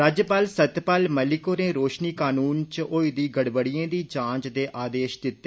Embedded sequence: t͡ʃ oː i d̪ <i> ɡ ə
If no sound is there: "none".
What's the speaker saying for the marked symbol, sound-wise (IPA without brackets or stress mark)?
iː